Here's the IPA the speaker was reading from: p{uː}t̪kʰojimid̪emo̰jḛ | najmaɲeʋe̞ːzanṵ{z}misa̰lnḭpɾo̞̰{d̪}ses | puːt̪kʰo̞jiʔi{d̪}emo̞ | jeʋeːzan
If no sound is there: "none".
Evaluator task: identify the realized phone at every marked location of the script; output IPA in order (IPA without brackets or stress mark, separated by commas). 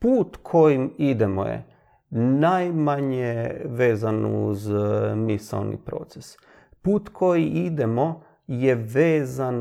uː, z, t̪, d̪